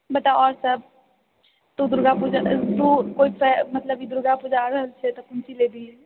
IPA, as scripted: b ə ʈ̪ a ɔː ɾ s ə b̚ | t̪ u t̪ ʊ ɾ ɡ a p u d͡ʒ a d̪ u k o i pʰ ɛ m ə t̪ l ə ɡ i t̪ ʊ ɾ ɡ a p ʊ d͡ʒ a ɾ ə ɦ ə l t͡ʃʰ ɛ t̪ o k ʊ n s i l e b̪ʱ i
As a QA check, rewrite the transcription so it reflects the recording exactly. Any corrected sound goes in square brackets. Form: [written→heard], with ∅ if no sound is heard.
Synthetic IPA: b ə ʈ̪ a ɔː ɾ s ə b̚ | t̪ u [t̪→d̪] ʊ ɾ ɡ a p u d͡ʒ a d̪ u k o i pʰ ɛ m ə t̪ l ə [ɡ→b] i [t̪→d̪] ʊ ɾ ɡ a p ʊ d͡ʒ a ɾ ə ɦ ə l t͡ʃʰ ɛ t̪ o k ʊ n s i l e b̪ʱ i